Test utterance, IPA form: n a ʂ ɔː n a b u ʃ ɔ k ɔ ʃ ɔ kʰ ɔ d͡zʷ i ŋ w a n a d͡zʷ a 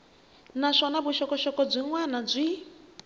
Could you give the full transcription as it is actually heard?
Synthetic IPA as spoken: n a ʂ ɔ n a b u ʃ ɔ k ɔ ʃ ɔ k ɔ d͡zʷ i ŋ w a n a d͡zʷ i